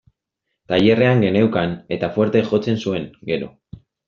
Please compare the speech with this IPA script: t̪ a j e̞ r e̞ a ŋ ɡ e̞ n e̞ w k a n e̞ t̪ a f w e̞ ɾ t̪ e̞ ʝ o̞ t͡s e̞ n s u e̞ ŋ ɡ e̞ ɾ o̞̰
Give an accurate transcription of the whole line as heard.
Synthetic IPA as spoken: t̪ a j e̞ r e̞ a ŋ ɡ e̞ n e̞ w k a n e̞ t̪ a f w e̞ ɾ t̪ e̞ ʝ o̞ t͡s e̞ n s u e̞ ŋ ɡ e̞ ɾ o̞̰